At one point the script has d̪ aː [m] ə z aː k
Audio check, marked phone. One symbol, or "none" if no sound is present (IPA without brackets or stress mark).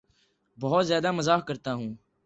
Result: m